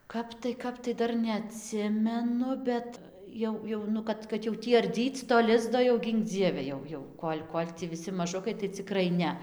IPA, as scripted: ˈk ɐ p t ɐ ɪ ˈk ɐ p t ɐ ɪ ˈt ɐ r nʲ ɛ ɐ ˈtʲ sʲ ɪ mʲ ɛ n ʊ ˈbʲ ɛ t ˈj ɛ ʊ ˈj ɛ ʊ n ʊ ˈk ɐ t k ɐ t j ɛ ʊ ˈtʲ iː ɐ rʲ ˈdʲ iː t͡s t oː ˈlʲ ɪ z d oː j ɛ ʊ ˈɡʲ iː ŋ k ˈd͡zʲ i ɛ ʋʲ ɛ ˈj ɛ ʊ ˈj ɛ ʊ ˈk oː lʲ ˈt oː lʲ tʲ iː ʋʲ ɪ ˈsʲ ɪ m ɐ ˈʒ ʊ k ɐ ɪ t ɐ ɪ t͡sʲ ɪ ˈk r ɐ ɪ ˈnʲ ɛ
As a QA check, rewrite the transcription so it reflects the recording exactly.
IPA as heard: ˈk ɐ p t ɐ ɪ ˈk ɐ p t ɐ ɪ ˈd ɐ r nʲ ɛ ɐ ˈtʲ sʲ ɪ mʲ ɛ n ʊ ˈbʲ ɛ t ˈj ɛ ʊ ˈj ɛ ʊ n ʊ ˈk ɐ t k ɐ t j ɛ ʊ ˈtʲ iː ɐ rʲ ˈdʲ iː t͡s t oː ˈlʲ ɪ z d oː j ɛ ʊ ˈɡʲ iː ŋ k ˈd͡zʲ i ɛ ʋʲ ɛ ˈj ɛ ʊ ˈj ɛ ʊ ˈk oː lʲ ˈk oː lʲ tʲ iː ʋʲ ɪ ˈsʲ ɪ m ɐ ˈʒ ʊ k ɐ ɪ t ɐ ɪ t͡sʲ ɪ ˈk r ɐ ɪ ˈnʲ ɛ

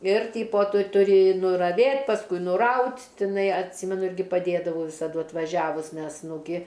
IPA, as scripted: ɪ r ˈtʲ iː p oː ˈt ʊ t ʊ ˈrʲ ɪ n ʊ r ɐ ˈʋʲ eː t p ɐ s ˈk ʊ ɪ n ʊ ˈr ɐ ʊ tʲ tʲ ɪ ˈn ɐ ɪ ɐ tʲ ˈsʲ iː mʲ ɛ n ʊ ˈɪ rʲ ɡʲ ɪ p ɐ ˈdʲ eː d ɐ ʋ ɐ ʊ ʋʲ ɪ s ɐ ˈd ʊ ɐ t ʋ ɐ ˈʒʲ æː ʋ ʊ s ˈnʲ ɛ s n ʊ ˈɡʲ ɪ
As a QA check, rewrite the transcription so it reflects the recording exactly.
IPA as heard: ɪ r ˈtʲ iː p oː ˈt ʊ t ʊ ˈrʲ ɪ n ʊ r ɐ ˈʋʲ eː t p ɐ s ˈk ʊ ɪ n ʊ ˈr ɐ ʊ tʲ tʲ ɪ ˈn ɐ ɪ ɐ tʲ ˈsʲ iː mʲ ɛ n ʊ ˈɪ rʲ ɡʲ ɪ p ɐ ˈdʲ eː d ɐ ʋ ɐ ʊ ʋʲ ɪ s ɐ ˈd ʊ ɐ t ʋ ɐ ˈʒʲ æː ʋ ʊ s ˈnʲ ɛ s n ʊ ˈɡʲ ɪ

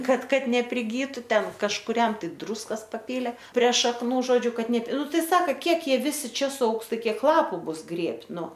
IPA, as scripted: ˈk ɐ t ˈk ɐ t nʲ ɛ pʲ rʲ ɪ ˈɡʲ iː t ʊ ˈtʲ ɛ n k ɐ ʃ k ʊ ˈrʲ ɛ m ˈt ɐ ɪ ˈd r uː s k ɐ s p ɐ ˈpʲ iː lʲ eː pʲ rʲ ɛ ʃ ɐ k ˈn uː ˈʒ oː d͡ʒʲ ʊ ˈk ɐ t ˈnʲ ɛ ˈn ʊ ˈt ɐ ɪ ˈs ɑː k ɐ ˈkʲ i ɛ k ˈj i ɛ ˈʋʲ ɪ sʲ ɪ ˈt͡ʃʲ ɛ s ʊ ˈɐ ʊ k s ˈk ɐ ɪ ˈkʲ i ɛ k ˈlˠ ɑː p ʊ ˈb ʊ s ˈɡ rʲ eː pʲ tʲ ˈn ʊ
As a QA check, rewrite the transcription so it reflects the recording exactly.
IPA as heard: ˈk ɐ t ˈk ɐ t nʲ ɛ pʲ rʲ ɪ ˈɡʲ iː t ʊ ˈtʲ ɛ n k ɐ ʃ k ʊ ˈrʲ ɛ m ˈt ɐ ɪ ˈd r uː s k ɐ s p ɐ ˈpʲ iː lʲ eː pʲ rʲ ɛ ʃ ɐ k ˈn uː ˈʒ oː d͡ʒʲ ʊ ˈk ɐ t ˈnʲ ɛ ˈn ʊ ˈt ɐ ɪ ˈs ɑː k ɐ ˈkʲ i ɛ k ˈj i ɛ ˈʋʲ ɪ sʲ ɪ ˈt͡ʃʲ ɛ s ʊ ˈɐ ʊ k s ˈt ɐ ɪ ˈkʲ i ɛ k ˈlˠ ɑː p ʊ ˈb ʊ s ˈɡ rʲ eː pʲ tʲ ˈn ʊ

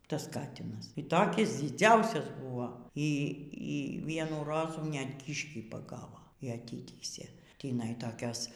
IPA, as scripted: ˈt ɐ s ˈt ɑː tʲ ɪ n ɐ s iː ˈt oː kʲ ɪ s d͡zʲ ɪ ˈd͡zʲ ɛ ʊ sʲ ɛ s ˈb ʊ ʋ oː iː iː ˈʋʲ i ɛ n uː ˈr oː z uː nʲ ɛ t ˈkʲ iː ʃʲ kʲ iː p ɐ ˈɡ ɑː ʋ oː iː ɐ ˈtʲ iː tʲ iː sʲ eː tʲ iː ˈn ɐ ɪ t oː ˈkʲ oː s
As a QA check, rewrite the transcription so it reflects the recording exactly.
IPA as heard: ˈt ɐ s ˈk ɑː tʲ ɪ n ɐ s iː ˈt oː kʲ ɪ s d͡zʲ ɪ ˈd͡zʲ ɛ ʊ sʲ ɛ s ˈb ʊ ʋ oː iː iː ˈʋʲ i ɛ n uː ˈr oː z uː nʲ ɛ t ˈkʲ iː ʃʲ kʲ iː p ɐ ˈɡ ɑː ʋ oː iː ɐ ˈtʲ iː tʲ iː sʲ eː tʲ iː ˈn ɐ ɪ t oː ˈkʲ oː s

